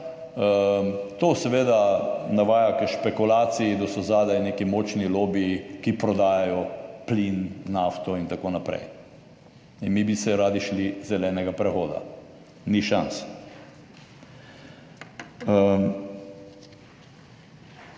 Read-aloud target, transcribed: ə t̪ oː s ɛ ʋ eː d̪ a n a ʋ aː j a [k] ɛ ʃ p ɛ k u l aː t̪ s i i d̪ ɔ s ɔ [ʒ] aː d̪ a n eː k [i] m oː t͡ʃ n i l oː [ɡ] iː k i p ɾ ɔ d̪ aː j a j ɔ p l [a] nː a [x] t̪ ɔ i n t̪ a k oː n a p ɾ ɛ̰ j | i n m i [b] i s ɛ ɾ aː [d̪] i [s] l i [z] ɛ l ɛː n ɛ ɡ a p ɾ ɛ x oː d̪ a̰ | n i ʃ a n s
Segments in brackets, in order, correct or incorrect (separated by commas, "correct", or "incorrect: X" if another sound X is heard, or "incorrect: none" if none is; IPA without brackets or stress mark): correct, incorrect: z, correct, incorrect: b, incorrect: i, incorrect: f, correct, correct, incorrect: ʃ, correct